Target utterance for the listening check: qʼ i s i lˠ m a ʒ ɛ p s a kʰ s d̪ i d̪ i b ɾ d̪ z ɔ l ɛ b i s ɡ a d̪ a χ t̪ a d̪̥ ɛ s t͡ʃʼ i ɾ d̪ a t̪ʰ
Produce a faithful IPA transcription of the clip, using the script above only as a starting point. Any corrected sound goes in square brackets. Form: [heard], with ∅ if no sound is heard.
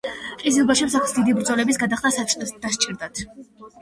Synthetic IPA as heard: qʼ i [z] i lˠ [b] a [ʃ] ɛ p s a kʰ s d̪ i d̪ i b ɾ d̪ z ɔ l ɛ b i s ɡ a d̪ a χ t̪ a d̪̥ [a] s t͡ʃʼ i ɾ d̪ a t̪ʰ